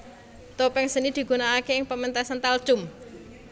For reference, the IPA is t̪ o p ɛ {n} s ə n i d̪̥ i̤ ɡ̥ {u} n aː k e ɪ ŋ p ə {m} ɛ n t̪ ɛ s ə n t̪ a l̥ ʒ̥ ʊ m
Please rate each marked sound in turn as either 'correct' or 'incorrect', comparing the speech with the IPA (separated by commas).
incorrect, correct, correct